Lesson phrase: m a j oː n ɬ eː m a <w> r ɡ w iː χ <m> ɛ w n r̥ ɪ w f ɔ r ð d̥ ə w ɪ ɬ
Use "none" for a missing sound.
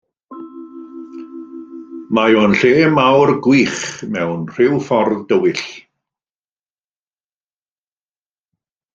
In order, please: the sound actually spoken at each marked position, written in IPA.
w, m

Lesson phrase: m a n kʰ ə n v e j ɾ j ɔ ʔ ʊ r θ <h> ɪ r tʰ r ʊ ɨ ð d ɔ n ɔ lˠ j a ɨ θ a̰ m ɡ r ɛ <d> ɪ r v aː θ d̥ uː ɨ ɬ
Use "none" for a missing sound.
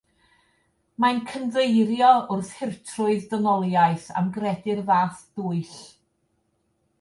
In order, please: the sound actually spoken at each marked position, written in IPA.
h, d

